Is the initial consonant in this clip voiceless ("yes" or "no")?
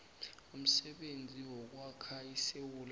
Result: no